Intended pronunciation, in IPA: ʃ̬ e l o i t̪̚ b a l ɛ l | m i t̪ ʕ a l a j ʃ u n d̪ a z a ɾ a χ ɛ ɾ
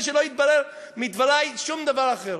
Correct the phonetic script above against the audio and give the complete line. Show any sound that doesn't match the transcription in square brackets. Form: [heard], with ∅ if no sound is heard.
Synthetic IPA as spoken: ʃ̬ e l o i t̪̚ b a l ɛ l | m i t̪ [v] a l a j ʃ u [m] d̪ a [v] a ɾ a χ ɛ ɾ